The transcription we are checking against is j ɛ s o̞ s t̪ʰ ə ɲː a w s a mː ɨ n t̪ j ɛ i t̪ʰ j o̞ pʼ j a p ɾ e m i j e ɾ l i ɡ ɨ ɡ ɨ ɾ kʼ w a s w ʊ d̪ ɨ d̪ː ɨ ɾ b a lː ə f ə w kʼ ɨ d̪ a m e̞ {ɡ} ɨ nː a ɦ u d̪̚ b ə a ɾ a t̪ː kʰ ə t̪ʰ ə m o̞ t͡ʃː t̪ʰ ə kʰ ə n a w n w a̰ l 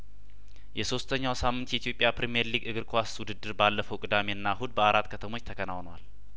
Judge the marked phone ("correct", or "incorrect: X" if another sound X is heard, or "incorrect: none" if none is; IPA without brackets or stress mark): incorrect: none